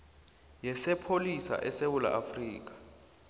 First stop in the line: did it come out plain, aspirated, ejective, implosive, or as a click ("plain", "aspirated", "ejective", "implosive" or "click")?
aspirated